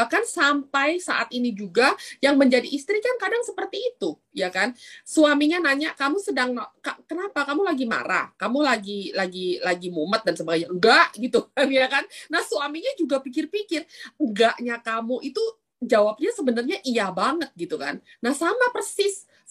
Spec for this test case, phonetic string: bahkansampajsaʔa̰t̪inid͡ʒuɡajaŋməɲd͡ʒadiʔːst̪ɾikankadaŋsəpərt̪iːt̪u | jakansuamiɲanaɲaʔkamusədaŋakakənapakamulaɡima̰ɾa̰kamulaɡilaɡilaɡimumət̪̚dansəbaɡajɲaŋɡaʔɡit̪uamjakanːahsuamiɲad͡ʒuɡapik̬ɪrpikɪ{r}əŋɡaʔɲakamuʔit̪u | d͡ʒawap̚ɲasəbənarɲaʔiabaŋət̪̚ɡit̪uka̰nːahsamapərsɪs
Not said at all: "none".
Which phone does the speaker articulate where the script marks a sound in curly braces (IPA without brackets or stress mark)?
r